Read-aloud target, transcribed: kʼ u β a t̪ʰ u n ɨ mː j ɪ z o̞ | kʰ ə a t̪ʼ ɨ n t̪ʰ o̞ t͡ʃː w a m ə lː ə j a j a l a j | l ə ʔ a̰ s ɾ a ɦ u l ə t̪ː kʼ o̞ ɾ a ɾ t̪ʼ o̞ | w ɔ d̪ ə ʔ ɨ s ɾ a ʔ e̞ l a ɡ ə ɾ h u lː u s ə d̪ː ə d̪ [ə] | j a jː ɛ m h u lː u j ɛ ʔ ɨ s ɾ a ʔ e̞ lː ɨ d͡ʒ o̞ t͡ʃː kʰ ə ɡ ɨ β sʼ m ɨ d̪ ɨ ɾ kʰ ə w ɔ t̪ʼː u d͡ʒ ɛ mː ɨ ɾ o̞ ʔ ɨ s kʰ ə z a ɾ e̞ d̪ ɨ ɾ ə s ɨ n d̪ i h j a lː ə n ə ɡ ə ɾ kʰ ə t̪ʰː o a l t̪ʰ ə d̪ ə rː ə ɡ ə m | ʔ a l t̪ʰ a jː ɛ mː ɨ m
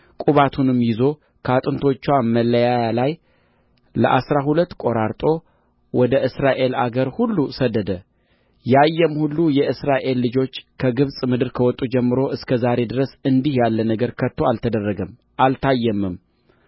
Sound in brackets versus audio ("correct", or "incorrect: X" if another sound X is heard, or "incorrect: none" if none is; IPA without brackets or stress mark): correct